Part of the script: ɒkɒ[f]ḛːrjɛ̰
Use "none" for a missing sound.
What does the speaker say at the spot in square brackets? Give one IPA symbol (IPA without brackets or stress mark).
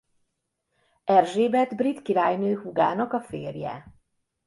f